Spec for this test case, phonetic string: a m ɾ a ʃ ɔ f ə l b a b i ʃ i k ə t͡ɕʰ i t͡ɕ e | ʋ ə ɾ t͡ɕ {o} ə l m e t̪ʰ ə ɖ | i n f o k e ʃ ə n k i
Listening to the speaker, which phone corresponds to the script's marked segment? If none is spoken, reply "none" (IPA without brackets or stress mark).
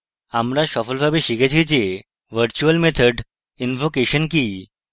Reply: u